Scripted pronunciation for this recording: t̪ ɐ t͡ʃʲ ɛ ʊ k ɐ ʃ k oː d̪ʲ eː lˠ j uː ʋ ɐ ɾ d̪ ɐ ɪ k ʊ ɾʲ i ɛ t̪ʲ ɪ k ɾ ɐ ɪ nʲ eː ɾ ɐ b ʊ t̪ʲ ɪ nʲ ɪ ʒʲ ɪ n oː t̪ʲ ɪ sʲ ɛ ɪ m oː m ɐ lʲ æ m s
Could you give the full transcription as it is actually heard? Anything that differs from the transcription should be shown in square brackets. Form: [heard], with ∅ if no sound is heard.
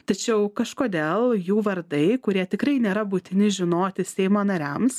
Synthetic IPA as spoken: t̪ ɐ t͡ʃʲ ɛ ʊ k ɐ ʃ k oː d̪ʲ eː lˠ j uː ʋ ɐ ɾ d̪ ɐ ɪ k ʊ ɾʲ i ɛ t̪ʲ ɪ k ɾ ɐ ɪ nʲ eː ɾ ɐ b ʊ t̪ʲ ɪ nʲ ɪ ʒʲ ɪ n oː t̪ʲ ɪ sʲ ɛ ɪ m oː [n] ɐ [ɾʲ] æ m s